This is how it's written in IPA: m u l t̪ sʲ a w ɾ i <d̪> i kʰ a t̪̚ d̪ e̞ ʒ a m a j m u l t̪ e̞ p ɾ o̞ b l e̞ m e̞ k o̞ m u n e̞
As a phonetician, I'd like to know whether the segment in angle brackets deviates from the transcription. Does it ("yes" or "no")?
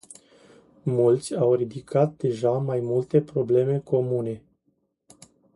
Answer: no